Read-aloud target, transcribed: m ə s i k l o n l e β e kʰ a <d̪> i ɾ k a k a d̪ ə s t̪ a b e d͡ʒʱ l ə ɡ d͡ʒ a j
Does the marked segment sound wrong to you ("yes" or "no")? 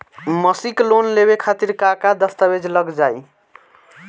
yes